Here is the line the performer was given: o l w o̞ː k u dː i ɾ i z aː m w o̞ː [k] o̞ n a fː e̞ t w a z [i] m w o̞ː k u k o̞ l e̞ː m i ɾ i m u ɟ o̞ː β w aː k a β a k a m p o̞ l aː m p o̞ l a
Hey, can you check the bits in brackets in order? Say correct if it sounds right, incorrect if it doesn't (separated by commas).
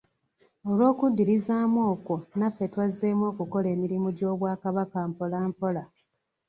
correct, incorrect